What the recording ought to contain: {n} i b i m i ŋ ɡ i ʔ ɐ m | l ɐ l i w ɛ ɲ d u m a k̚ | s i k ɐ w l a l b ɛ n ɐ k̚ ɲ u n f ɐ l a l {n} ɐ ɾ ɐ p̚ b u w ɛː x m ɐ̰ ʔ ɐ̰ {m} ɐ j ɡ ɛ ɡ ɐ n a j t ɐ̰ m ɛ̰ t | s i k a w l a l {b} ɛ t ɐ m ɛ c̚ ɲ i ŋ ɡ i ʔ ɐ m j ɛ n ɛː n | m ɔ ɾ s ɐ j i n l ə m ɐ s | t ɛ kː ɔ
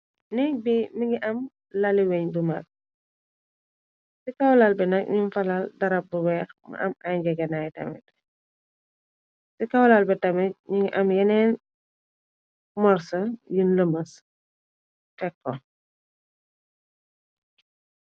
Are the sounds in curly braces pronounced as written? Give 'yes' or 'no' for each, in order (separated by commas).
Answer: yes, no, yes, yes